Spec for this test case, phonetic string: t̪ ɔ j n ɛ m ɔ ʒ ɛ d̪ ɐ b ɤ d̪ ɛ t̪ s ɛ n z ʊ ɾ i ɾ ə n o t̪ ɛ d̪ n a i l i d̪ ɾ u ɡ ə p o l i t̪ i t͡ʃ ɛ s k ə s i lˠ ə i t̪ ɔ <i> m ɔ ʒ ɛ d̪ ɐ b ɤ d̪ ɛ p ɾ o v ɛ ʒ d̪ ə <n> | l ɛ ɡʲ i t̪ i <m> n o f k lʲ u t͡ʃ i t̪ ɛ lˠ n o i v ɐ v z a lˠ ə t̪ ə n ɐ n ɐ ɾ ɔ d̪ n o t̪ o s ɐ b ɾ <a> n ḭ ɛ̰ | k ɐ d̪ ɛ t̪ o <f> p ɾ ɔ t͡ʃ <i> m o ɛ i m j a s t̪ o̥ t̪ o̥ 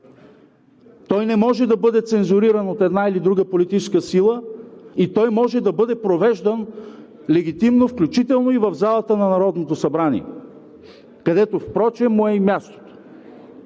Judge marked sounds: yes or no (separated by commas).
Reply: no, yes, yes, yes, yes, no